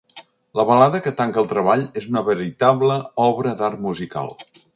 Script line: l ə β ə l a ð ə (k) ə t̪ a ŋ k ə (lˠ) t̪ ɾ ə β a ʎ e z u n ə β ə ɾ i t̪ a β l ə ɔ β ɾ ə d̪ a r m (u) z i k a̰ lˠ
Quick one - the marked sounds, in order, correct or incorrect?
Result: correct, correct, correct

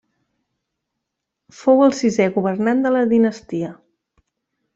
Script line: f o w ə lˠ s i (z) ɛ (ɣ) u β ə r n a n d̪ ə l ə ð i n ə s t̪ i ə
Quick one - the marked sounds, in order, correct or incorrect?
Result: correct, correct

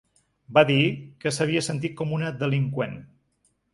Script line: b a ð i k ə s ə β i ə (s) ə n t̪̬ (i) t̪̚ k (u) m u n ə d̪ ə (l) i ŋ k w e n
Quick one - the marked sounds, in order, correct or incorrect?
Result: correct, correct, incorrect, correct

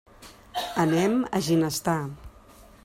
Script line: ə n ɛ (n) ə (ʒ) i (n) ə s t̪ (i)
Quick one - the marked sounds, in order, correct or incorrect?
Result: incorrect, correct, correct, incorrect

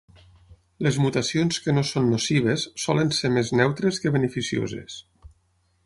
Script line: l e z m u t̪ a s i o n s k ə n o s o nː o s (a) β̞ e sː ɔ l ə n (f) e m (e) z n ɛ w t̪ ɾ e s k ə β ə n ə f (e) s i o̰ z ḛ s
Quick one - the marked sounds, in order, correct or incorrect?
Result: incorrect, incorrect, correct, incorrect

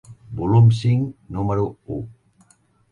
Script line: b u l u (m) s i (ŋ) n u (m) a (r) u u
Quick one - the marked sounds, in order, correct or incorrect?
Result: correct, correct, correct, incorrect

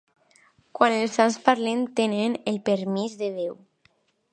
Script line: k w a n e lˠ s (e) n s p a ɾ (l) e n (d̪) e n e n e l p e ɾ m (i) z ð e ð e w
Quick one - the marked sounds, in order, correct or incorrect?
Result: incorrect, correct, incorrect, correct

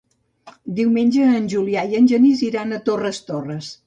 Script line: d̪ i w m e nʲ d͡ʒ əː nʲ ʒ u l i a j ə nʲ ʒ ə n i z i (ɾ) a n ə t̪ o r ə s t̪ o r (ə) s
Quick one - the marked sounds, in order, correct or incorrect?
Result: correct, correct

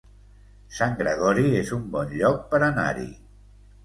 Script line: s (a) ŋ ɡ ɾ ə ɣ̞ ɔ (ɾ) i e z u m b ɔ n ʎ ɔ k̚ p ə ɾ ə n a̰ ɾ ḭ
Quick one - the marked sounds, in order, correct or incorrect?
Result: correct, correct

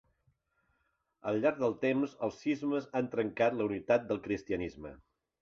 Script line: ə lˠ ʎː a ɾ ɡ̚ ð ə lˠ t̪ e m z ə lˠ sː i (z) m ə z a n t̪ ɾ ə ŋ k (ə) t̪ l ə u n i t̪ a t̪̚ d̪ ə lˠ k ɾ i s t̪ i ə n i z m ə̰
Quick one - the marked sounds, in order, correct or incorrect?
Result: correct, incorrect

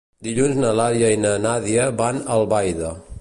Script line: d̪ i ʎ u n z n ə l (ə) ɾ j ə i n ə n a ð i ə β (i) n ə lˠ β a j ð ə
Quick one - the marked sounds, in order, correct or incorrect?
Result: incorrect, incorrect

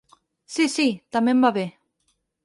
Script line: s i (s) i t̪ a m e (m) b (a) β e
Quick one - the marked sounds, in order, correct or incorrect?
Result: correct, correct, correct

